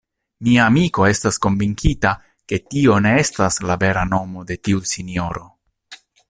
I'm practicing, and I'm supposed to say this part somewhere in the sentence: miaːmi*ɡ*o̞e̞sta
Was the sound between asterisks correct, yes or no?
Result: no